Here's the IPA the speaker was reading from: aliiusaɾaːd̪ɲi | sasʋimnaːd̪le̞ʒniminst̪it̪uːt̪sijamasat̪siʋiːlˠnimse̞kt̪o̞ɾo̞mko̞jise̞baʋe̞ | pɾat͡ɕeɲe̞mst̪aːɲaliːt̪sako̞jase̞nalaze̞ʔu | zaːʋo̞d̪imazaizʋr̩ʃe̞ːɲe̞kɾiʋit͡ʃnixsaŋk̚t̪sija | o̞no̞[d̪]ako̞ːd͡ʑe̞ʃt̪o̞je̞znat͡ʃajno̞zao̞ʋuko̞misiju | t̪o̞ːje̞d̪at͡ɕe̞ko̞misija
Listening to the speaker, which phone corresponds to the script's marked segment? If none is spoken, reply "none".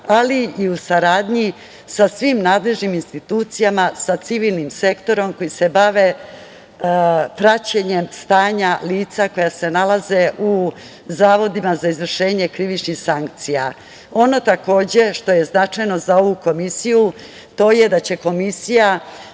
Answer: t̪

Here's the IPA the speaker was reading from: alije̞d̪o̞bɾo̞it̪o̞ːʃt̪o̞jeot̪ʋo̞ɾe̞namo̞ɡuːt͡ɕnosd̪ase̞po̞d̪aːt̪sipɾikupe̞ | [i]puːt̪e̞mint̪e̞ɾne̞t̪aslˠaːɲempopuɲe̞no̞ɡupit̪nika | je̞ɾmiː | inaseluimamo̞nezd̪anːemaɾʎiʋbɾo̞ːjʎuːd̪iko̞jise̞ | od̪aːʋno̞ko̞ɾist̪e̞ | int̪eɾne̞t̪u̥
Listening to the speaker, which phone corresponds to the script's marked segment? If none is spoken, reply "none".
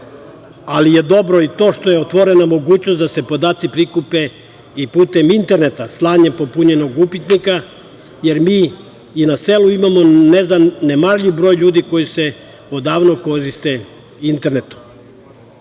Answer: i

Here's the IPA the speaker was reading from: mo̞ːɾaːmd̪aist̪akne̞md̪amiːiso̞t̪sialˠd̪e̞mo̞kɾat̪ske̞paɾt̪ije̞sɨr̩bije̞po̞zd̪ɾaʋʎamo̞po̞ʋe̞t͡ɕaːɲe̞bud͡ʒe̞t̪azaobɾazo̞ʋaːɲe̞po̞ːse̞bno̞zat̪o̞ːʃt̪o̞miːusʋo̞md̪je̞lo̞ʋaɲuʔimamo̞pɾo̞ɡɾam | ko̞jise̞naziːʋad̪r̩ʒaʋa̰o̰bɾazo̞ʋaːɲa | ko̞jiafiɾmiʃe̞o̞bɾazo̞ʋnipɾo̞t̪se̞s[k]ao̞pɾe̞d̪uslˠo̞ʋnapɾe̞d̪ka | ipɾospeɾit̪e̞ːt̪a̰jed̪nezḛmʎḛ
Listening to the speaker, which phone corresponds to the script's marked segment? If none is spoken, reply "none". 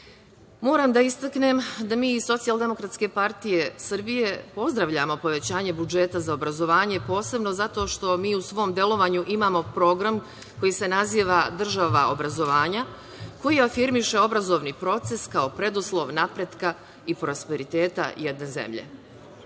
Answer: k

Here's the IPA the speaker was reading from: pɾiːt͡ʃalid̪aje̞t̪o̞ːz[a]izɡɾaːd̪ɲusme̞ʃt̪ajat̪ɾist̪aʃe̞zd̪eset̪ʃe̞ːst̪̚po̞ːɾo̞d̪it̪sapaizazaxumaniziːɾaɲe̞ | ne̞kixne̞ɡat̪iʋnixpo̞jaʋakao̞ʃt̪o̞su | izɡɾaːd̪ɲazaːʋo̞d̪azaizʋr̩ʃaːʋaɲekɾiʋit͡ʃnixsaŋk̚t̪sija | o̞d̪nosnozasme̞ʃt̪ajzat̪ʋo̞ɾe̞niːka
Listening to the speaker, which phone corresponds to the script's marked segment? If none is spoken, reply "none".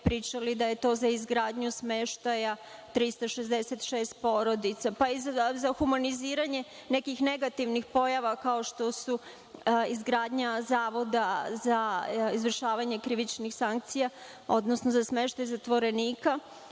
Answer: a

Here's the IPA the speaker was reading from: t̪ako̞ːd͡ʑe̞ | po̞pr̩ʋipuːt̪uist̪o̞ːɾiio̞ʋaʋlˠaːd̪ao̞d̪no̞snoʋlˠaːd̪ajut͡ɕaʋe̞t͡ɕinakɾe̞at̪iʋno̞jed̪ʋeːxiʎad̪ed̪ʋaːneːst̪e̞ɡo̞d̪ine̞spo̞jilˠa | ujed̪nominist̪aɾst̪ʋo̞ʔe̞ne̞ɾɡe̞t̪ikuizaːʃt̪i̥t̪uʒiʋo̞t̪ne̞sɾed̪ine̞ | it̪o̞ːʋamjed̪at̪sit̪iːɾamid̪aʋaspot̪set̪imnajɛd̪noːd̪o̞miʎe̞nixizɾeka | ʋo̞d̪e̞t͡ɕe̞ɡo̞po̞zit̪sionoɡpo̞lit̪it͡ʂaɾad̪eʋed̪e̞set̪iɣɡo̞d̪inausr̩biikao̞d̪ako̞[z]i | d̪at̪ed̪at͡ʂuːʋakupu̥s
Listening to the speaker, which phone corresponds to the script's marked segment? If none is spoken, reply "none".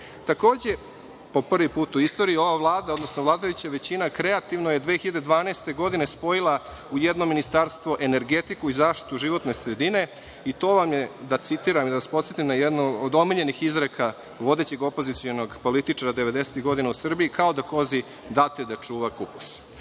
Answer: z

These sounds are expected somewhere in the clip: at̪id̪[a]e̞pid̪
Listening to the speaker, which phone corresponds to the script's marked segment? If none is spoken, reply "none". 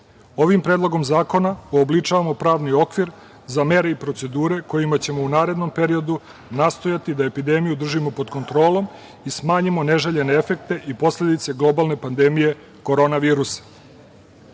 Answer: a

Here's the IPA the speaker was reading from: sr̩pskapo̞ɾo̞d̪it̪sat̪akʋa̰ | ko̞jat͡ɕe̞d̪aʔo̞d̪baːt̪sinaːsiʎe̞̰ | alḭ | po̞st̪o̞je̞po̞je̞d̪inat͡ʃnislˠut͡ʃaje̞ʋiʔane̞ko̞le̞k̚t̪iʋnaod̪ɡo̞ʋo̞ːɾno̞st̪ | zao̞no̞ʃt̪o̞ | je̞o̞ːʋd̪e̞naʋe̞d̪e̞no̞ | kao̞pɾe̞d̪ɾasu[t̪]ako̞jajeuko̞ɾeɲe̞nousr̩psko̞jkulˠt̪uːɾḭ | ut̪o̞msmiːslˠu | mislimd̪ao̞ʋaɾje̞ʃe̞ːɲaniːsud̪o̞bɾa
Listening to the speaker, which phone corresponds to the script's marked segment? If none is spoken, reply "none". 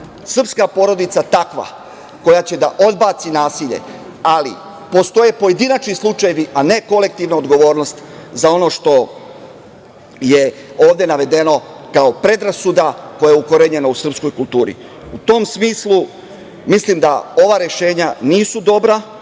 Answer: d̪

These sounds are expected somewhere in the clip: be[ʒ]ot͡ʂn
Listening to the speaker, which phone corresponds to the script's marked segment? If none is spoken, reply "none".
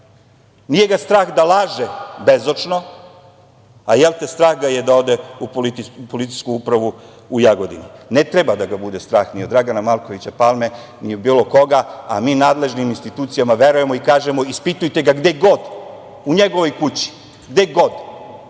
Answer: z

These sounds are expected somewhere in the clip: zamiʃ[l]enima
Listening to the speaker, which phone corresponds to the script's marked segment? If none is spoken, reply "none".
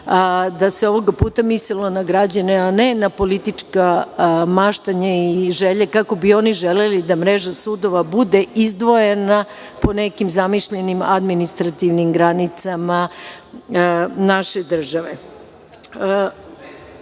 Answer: ʎ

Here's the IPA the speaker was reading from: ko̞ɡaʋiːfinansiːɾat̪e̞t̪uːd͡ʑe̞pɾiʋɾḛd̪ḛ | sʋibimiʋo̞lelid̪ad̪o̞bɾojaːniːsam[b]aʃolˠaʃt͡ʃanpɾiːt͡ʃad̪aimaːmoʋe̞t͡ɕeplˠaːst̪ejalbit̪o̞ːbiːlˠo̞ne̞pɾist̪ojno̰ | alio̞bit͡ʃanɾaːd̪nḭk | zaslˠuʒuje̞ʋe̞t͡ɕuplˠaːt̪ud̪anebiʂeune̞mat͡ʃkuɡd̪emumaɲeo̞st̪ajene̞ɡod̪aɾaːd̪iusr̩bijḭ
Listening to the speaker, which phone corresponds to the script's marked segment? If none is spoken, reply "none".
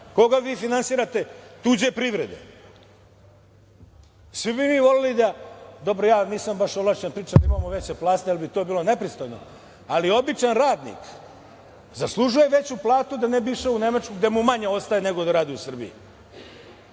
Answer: b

